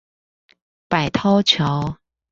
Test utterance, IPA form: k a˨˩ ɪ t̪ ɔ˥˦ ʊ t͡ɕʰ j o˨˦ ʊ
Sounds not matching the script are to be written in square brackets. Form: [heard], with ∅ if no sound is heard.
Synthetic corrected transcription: [p] a˨˩ ɪ [t̪ʰ] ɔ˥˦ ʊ t͡ɕʰ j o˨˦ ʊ

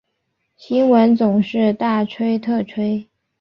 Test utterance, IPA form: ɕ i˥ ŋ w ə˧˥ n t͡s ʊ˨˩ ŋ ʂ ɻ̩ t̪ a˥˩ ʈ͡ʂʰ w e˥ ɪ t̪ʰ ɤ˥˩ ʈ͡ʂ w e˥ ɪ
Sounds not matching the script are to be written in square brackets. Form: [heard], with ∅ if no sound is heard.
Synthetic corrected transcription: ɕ i˥ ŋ w ə˧˥ n t͡s ʊ˨˩ ŋ ʂ ɻ̩ t̪ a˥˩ ʈ͡ʂʰ w e˥ ɪ t̪ʰ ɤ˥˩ [ʈ͡ʂʰ] w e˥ ɪ

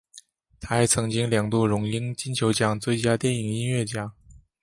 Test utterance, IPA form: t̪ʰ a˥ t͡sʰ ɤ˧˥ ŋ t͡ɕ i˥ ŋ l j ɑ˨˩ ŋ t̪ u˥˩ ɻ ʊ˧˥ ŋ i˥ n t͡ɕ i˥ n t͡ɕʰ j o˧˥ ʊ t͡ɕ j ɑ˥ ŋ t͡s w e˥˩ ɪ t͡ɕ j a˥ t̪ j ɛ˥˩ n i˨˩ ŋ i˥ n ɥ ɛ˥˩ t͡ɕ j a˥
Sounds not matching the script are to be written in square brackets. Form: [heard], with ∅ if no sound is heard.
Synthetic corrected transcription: t̪ʰ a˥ t͡sʰ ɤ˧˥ ŋ t͡ɕ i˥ ŋ l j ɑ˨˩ ŋ t̪ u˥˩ ɻ ʊ˧˥ ŋ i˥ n t͡ɕ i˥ n t͡ɕʰ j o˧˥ ʊ t͡ɕ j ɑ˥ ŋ t͡s w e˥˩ ɪ t͡ɕ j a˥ t̪ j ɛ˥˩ n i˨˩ ŋ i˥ n ɥ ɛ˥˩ t͡ɕ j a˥

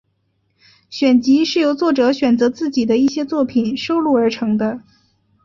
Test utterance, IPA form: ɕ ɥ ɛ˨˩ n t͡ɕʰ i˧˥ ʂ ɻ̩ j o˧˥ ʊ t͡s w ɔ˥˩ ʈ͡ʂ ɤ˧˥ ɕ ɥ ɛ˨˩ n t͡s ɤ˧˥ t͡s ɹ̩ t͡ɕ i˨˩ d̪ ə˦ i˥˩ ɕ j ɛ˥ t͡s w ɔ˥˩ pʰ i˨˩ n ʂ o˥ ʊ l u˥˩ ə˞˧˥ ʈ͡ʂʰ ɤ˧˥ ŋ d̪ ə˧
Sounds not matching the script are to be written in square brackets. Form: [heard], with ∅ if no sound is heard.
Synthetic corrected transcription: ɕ ɥ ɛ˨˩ n [t͡ɕ] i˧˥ ʂ ɻ̩ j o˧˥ ʊ t͡s w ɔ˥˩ ʈ͡ʂ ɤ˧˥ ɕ ɥ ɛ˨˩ n t͡s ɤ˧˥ t͡s ɹ̩ t͡ɕ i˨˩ d̪ ə˦ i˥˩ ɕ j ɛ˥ t͡s w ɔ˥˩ pʰ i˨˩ n ʂ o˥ ʊ l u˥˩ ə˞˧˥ ʈ͡ʂʰ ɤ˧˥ ŋ d̪ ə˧

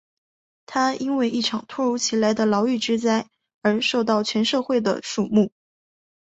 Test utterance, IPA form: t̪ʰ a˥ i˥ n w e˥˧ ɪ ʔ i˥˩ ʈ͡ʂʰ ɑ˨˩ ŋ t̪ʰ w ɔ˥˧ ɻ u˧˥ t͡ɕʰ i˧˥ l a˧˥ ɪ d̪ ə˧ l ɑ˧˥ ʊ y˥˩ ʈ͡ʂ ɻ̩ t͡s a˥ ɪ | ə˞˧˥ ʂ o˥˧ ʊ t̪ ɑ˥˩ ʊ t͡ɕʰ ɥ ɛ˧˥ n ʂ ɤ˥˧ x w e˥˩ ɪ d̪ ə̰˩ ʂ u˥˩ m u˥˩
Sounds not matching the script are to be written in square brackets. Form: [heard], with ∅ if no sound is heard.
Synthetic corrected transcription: t̪ʰ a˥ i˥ n w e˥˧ ɪ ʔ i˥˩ ʈ͡ʂʰ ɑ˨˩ ŋ t̪ʰ w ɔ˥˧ ɻ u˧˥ t͡ɕʰ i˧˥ l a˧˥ ɪ d̪ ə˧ l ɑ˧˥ ʊ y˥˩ ʈ͡ʂ ɻ̩ t͡s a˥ ɪ | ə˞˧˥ ʂ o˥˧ ʊ t̪ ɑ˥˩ ʊ t͡ɕʰ ɥ ɛ˧˥ n ʂ ɤ˥˧ x w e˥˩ ɪ d̪ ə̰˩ ʂ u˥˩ m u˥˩

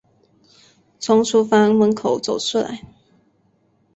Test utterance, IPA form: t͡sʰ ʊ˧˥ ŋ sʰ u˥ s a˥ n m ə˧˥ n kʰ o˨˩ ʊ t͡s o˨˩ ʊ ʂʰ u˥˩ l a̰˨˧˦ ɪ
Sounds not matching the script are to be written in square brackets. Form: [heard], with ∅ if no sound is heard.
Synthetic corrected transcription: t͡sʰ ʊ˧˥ ŋ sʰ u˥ [f] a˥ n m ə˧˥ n kʰ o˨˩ ʊ t͡s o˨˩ ʊ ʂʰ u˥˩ l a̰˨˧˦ ɪ

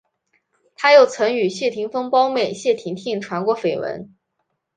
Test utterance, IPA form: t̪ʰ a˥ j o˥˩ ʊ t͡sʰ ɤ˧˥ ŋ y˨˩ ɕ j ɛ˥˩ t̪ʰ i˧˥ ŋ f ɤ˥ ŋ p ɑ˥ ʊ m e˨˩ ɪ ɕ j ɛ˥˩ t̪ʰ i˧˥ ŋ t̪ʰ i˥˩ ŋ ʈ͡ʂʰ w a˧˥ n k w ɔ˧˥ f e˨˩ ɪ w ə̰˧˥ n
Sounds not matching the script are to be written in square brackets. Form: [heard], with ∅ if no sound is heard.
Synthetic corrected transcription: t̪ʰ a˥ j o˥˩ ʊ t͡sʰ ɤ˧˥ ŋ y˨˩ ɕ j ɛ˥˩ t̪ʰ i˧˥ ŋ f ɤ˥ ŋ p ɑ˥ ʊ m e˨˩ ɪ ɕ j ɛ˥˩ t̪ʰ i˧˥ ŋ t̪ʰ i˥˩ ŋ ʈ͡ʂʰ w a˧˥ n k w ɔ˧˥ f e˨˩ ɪ w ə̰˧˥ n

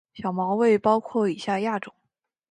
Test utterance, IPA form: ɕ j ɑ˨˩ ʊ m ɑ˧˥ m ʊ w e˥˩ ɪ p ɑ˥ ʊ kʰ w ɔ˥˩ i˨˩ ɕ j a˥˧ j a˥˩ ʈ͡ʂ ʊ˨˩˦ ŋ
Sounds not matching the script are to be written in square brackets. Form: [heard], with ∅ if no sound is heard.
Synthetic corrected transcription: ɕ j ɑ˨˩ ʊ m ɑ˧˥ [∅] ʊ w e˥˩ ɪ p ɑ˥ ʊ kʰ w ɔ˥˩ i˨˩ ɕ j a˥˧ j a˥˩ ʈ͡ʂ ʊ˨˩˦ ŋ

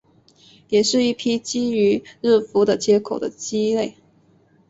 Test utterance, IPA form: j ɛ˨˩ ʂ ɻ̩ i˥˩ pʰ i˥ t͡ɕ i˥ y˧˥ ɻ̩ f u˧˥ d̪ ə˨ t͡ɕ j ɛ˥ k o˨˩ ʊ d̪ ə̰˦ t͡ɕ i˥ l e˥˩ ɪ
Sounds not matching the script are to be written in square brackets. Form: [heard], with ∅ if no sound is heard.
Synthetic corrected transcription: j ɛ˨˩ ʂ ɻ̩ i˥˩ pʰ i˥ t͡ɕ i˥ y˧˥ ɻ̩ f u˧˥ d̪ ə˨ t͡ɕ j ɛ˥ [kʰ] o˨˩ ʊ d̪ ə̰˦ t͡ɕ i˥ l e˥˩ ɪ

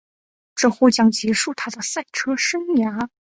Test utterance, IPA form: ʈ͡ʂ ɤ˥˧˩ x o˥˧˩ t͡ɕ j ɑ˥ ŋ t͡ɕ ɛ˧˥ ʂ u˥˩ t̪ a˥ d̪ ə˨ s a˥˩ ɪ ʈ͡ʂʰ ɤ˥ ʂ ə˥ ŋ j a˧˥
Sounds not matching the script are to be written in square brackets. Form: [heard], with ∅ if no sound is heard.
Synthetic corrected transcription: ʈ͡ʂ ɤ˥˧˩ x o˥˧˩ t͡ɕ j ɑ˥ ŋ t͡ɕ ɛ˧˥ ʂ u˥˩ [t̪ʰ] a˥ d̪ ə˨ s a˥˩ ɪ ʈ͡ʂʰ ɤ˥ ʂ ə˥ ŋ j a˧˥

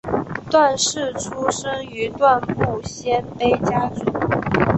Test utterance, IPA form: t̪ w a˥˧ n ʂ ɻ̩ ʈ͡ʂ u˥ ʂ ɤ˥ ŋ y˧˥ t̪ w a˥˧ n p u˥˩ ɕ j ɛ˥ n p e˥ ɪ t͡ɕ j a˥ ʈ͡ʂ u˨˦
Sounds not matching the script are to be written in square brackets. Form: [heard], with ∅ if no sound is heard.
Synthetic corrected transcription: t̪ w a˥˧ n ʂ ɻ̩ [ʈ͡ʂʰ] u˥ ʂ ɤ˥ ŋ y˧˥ t̪ w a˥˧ n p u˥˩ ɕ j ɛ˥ n p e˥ ɪ t͡ɕ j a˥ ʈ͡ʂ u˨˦

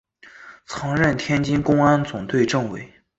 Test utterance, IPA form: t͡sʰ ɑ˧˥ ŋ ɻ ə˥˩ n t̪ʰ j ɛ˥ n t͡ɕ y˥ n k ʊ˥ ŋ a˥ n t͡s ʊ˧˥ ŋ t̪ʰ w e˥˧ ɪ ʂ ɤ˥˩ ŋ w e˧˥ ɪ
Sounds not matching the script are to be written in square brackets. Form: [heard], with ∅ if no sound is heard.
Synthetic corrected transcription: t͡sʰ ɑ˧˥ ŋ ɻ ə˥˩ n t̪ʰ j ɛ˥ n t͡ɕ [i˥] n k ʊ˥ ŋ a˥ n t͡s [ʊ˨˩] ŋ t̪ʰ w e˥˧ ɪ [ʈ͡ʂ] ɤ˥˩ ŋ w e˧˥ ɪ

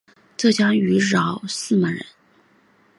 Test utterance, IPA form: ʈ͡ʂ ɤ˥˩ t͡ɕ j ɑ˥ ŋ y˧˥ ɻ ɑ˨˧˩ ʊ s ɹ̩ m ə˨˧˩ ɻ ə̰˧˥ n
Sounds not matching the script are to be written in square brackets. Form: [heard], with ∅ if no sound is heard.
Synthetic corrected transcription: ʈ͡ʂ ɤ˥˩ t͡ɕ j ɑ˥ ŋ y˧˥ ɻ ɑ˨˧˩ ʊ s ɹ̩ m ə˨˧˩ ɻ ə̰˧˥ n

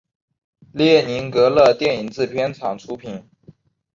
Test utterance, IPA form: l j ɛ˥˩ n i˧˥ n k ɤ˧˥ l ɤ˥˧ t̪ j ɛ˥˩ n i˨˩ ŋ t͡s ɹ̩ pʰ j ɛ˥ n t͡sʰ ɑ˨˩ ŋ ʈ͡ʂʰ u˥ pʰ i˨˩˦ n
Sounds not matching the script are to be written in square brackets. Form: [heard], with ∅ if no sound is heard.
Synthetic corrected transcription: l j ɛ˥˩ n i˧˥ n k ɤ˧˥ l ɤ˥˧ t̪ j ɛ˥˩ n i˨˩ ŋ t͡s ɹ̩ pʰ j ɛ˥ n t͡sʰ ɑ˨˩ ŋ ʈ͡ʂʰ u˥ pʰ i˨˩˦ n

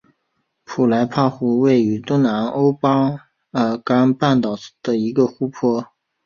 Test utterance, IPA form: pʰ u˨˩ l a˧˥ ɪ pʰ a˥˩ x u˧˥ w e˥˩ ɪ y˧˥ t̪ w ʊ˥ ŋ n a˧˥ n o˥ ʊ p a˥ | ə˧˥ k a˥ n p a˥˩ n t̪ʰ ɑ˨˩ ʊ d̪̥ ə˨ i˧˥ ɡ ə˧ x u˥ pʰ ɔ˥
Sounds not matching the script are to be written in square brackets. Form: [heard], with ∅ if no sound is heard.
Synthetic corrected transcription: pʰ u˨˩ l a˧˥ ɪ pʰ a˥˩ x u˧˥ w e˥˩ ɪ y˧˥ t̪ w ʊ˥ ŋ n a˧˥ n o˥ ʊ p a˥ | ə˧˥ k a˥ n p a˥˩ n [t̪] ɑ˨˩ ʊ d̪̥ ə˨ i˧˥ ɡ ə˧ x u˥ pʰ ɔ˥

